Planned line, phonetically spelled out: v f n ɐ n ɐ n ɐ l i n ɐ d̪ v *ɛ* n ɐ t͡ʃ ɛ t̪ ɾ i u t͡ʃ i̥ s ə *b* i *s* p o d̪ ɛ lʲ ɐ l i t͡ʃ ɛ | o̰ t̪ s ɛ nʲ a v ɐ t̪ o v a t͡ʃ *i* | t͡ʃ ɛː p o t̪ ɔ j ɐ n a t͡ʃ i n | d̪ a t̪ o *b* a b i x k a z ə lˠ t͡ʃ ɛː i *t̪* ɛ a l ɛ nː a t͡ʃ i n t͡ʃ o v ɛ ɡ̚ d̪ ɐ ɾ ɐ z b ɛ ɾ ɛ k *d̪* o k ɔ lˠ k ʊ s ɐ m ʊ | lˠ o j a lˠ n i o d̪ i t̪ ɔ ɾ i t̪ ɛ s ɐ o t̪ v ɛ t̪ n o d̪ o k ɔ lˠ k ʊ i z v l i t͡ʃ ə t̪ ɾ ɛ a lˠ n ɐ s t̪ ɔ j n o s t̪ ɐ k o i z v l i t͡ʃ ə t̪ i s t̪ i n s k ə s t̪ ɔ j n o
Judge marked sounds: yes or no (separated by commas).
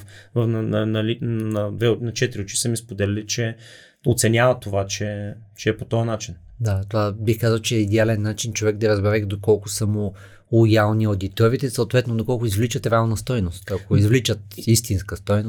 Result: yes, no, yes, no, no, no, yes